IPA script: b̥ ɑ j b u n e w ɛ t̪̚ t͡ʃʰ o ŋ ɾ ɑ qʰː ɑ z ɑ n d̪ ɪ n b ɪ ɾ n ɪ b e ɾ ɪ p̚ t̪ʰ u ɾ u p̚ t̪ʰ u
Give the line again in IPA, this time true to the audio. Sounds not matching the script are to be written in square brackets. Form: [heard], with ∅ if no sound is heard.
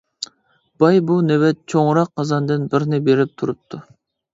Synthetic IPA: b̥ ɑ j b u n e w ɛ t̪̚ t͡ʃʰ o ŋ ɾ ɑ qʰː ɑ z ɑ n d̪ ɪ n b ɪ ɾ n ɪ b e ɾ ɪ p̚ t̪ʰ u ɾ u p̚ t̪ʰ u